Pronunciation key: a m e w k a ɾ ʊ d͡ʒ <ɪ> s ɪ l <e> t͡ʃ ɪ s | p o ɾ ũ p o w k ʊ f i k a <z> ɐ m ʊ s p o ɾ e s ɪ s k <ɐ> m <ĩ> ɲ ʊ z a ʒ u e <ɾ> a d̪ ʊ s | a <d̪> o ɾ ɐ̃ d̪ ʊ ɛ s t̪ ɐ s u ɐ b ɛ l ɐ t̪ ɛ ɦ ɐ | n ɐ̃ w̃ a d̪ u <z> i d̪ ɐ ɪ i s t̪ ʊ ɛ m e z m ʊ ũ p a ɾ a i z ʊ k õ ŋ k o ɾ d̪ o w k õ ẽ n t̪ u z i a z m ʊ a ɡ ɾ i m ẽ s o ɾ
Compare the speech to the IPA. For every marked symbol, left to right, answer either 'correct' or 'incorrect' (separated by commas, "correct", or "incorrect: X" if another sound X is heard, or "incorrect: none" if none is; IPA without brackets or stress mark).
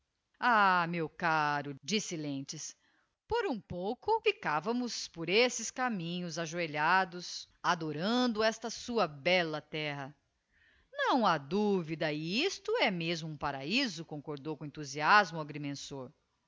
incorrect: i, incorrect: ẽ, incorrect: v, incorrect: a, correct, incorrect: ʎ, correct, incorrect: v